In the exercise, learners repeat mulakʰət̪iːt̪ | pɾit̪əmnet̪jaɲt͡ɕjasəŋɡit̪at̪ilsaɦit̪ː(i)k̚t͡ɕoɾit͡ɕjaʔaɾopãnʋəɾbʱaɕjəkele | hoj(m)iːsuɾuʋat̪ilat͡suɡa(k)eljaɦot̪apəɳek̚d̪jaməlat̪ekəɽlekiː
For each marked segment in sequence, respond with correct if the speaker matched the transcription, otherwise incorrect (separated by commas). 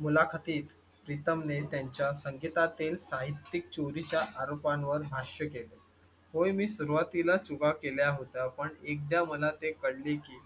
correct, correct, correct